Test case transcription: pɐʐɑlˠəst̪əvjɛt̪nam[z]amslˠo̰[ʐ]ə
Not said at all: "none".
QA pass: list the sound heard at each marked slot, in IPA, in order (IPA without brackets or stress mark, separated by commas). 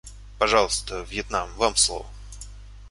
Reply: v, v